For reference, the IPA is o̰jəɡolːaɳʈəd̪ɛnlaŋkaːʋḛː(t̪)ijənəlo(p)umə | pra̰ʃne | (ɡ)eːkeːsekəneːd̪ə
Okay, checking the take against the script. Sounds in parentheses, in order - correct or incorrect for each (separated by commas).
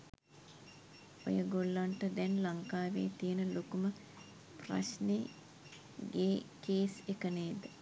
correct, incorrect, correct